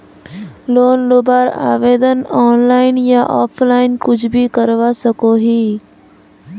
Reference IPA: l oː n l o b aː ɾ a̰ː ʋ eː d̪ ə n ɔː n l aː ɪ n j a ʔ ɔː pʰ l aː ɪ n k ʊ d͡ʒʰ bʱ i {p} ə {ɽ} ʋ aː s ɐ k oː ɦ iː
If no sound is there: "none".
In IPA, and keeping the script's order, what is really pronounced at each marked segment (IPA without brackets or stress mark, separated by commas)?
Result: k, ɾ